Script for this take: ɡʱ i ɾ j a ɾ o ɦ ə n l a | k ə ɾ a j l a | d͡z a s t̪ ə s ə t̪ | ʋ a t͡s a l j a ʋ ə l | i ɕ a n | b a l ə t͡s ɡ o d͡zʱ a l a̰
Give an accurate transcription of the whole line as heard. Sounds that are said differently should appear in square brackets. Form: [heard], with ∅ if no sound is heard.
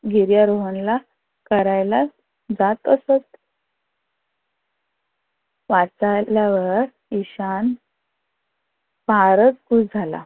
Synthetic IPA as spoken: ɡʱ i ɾ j a ɾ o ɦ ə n l a | k ə ɾ a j l a | d͡z a [∅] t̪ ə s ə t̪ | ʋ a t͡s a l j a ʋ ə [ɾ] | i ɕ a n | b a [ɾ] ə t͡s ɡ [u] d͡zʱ a l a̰